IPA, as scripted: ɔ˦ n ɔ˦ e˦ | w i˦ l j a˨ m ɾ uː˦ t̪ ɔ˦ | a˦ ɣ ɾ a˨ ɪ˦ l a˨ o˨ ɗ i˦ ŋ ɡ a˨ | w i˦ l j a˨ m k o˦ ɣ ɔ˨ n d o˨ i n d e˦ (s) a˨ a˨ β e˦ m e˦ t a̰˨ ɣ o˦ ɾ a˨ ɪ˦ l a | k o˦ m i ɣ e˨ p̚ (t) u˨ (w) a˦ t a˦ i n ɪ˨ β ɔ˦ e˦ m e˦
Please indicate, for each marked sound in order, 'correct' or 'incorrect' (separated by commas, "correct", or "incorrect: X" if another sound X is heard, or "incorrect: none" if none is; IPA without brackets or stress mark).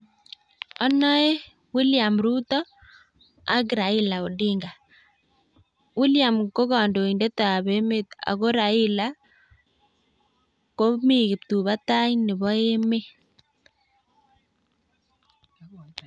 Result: incorrect: t, correct, incorrect: β